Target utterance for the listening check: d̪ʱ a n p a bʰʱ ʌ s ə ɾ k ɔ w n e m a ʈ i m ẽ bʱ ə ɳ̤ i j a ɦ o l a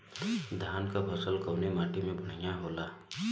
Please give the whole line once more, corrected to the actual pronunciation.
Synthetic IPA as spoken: d̪ʱ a n k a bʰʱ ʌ s ə l k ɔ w n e m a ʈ i m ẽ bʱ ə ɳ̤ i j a ɦ o l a